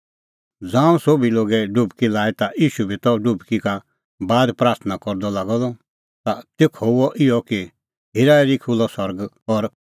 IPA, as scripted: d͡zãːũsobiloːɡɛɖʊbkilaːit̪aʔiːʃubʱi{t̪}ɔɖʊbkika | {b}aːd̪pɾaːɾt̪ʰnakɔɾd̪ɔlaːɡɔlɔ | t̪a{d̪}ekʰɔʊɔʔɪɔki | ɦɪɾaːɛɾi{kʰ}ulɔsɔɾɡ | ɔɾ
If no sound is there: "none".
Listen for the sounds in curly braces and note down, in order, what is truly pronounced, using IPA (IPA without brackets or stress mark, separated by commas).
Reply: t̪, b, t̪, kʰ